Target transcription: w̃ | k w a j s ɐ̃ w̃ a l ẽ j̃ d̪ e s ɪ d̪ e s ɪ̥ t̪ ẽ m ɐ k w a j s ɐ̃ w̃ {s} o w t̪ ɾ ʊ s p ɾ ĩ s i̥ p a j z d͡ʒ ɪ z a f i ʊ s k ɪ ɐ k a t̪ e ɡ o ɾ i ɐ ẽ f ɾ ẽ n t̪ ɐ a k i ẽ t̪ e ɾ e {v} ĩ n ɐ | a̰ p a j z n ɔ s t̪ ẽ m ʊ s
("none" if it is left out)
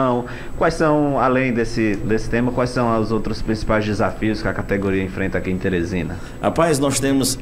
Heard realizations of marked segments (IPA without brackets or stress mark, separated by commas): z, z